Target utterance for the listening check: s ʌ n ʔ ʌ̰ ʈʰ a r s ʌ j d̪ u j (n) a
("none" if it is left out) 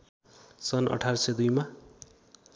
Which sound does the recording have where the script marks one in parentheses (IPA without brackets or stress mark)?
m